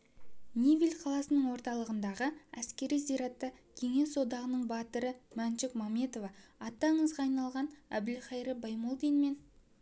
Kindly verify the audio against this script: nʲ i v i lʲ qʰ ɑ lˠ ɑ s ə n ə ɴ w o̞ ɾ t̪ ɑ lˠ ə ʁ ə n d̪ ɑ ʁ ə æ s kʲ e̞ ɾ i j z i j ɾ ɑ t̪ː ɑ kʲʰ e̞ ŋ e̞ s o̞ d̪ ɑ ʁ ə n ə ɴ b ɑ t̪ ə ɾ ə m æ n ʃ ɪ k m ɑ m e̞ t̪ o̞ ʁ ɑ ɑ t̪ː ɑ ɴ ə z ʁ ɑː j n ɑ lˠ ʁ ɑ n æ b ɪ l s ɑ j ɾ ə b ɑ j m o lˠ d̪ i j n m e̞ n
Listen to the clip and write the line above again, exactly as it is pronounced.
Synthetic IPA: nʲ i v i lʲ qʰ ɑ lˠ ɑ s ə n ə ɴ w o̞ ɾ t̪ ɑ lˠ ə ʁ ə n d̪ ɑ ʁ ə æ s kʲ e̞ ɾ i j z i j ɾ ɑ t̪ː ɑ kʲʰ e̞ ŋ e̞ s o̞ d̪ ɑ ʁ ə n ə ɴ b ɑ t̪ ə ɾ ə m æ n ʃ ɪ k m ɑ m e̞ t̪ o̞ v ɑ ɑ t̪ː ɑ ɴ ə z ʁ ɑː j n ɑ lˠ ʁ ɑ n æ b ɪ l χ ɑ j ɾ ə b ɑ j m o lˠ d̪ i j n m e̞ n